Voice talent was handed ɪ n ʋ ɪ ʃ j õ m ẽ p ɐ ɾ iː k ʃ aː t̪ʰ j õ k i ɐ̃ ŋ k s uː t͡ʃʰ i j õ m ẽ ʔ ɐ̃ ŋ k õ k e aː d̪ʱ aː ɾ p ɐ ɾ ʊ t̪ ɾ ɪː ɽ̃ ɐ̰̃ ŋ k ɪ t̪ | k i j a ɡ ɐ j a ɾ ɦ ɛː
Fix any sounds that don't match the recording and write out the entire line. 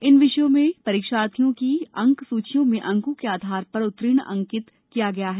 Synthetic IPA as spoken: ɪ n ʋ ɪ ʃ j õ m ẽ p ɐ ɾ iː k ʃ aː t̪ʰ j õ k i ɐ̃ ŋ k s uː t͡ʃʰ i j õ m ẽ ʔ ɐ̃ ŋ k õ k e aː d̪ʱ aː ɾ p ɐ ɾ ʊ t̪ ɾ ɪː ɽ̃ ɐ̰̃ ŋ k ɪ t̪ | k i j a ɡ ɐ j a ɦ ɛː

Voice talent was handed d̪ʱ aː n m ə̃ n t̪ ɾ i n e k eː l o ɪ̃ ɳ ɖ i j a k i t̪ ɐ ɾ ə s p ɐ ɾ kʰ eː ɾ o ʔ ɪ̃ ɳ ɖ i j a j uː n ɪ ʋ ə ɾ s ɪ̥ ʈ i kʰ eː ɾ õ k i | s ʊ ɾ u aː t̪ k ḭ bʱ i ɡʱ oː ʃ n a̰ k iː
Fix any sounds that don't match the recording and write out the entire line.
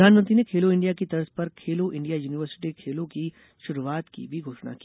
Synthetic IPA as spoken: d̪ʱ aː n m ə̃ n t̪ ɾ i n e kʰ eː l o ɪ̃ ɳ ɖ i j a k i t̪ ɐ ɾ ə s p ɐ ɾ kʰ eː l o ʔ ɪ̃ ɳ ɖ i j a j uː n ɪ ʋ ə ɾ s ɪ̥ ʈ i kʰ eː l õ k i | ʃ ʊ ɾ u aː t̪ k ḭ bʱ i ɡʱ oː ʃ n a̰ k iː

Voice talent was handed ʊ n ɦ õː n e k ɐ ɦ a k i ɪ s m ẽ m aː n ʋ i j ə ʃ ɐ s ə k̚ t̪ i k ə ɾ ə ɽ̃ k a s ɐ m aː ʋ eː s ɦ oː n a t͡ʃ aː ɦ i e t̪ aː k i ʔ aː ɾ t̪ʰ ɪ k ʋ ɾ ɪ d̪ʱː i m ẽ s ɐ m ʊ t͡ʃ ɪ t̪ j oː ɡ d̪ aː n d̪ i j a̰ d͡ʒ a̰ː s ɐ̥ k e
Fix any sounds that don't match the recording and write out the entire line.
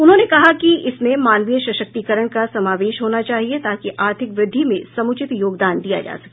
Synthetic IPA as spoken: ʊ n ɦ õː n e k ɐ ɦ a k i ɪ s m ẽ m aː n ʋ i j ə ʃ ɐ ʃ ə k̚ t̪ i k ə ɾ ə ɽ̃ k a s ɐ m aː ʋ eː ʃ ɦ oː n a t͡ʃ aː ɦ i e t̪ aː k i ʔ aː ɾ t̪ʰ ɪ k ʋ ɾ ɪ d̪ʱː i m ẽ s ɐ m ʊ t͡ʃ ɪ t̪ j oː ɡ d̪ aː n d̪ i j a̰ d͡ʒ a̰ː s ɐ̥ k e

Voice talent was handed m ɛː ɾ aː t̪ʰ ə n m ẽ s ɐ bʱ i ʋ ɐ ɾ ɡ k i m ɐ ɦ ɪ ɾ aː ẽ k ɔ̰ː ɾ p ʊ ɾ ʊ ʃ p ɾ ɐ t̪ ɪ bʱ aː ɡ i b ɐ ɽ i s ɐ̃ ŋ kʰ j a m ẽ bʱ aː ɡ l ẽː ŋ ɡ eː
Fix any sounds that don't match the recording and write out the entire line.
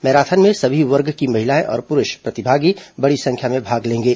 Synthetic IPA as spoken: m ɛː ɾ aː t̪ʰ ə n m ẽ s ɐ bʱ i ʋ ɐ ɾ ɡ k i m ɐ ɦ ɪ l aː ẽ ʔ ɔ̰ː ɾ p ʊ ɾ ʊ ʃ p ɾ ɐ t̪ ɪ bʱ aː ɡ i b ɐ ɽ i s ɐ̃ ŋ kʰ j a m ẽ bʱ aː ɡ l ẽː ŋ ɡ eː

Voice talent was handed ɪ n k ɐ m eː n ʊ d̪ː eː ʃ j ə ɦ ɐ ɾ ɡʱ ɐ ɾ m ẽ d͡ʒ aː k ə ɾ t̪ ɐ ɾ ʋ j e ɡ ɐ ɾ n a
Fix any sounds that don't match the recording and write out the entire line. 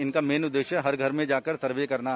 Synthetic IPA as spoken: ɪ n k a m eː n ʊ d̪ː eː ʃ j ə ɦ ɐ ɾ ɡʱ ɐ ɾ m ẽ d͡ʒ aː k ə ɾ t̪ ɐ ɾ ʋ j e k ɐ ɾ n a

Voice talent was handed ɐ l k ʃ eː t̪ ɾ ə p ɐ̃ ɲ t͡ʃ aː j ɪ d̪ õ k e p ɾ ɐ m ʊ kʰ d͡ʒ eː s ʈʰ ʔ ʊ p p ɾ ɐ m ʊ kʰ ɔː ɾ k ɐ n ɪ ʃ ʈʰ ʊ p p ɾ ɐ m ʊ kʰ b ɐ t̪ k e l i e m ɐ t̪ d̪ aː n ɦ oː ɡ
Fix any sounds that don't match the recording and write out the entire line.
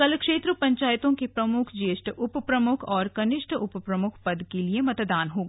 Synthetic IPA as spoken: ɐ l k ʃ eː t̪ ɾ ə p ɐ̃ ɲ t͡ʃ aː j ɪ t̪ õ k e p ɾ ɐ m ʊ kʰ d͡ʒ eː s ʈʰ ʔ ʊ p p ɾ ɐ m ʊ kʰ ɔː ɾ k ɐ n ɪ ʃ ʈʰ ʊ p p ɾ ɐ m ʊ kʰ p ɐ d̪ k e l i e m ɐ t̪ d̪ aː n ɦ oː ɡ

